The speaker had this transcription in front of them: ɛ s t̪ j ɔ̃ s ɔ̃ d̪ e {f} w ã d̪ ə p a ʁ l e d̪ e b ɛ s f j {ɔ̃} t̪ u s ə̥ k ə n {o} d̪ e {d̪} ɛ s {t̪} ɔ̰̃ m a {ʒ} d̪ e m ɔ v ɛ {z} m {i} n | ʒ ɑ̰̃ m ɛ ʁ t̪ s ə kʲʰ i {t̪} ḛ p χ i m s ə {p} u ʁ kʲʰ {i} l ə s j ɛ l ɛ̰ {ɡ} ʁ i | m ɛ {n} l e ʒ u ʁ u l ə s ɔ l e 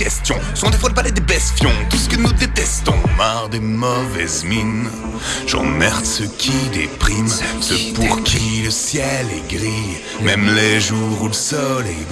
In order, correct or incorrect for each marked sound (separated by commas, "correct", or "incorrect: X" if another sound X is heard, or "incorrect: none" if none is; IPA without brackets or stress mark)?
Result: correct, correct, incorrect: u, incorrect: t̪, correct, incorrect: ʁ, correct, correct, incorrect: d̪, correct, correct, correct, incorrect: m